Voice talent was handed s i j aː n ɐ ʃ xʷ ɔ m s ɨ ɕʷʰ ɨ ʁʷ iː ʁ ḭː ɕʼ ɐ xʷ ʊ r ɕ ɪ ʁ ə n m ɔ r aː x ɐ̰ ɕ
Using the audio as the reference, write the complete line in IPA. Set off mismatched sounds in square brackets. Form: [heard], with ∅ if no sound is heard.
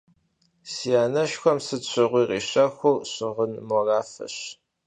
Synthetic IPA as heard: s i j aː n ɐ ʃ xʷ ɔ m s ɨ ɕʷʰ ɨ ʁʷ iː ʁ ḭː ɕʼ ɐ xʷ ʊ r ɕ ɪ ʁ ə n m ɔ r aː [f] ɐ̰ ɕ